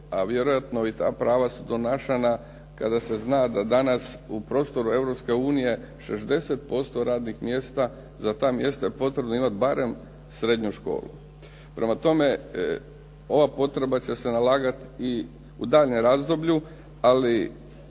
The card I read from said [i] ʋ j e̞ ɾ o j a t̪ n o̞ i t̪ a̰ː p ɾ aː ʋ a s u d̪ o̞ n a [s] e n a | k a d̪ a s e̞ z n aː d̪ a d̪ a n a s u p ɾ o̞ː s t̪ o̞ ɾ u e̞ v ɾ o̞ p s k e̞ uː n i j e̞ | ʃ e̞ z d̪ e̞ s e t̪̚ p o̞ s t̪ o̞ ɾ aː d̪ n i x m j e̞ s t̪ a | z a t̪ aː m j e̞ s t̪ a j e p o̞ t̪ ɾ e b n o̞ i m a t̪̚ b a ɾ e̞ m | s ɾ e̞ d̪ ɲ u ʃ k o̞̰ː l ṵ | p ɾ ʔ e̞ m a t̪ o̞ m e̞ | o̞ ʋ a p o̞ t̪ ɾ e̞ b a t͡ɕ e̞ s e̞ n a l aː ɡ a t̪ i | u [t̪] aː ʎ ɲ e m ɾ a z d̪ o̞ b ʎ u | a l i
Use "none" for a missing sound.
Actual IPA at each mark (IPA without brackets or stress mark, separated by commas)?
a, ʃ, d̪